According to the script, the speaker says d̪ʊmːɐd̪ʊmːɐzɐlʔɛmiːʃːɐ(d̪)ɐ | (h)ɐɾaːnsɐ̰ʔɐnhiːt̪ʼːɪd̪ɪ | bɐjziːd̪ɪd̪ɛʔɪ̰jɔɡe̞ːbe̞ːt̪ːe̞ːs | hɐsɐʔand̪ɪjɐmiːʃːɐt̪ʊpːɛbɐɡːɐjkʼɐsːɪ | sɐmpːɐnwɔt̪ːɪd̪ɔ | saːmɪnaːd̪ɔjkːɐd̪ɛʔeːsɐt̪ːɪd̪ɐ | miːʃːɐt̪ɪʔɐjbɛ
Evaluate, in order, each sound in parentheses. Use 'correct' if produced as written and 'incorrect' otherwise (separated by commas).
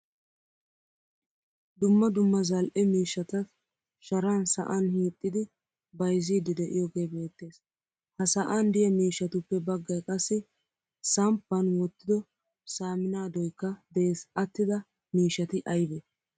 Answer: incorrect, incorrect